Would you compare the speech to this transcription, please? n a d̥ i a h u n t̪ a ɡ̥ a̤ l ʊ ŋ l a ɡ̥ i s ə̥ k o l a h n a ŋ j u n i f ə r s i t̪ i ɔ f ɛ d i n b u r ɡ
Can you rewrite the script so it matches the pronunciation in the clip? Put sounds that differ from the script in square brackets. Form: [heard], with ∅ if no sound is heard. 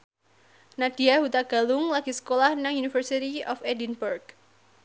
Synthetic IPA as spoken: n a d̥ i a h u [∅] t̪ a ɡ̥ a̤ l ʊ ŋ l a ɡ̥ i s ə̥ k o l a h n a ŋ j u n i f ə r s i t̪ i ɔ f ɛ d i n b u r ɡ